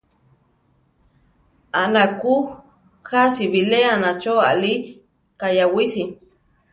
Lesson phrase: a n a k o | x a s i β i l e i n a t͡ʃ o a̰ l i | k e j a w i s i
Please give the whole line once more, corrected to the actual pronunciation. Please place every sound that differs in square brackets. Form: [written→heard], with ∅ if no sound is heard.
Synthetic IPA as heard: a n a k [o→u] | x a s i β i l e [i→a] n a t͡ʃ o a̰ l i | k [e→a] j a w i s i